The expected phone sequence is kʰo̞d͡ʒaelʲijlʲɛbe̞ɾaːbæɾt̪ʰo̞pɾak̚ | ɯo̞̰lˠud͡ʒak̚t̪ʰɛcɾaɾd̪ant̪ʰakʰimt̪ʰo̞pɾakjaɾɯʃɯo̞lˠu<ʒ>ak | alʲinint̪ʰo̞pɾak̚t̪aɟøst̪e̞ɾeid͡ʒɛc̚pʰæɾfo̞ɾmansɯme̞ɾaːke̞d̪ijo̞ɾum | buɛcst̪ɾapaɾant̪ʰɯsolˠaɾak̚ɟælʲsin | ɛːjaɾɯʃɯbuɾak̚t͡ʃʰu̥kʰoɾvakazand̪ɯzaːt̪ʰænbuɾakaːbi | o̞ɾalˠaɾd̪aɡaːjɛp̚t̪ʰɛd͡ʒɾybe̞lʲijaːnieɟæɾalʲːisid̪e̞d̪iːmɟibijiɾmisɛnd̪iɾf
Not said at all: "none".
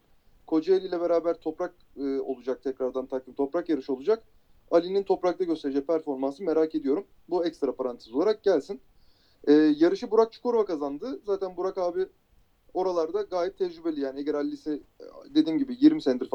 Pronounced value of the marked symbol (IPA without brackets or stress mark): d͡ʒ